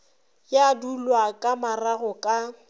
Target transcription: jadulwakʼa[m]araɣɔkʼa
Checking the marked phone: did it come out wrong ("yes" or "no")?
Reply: no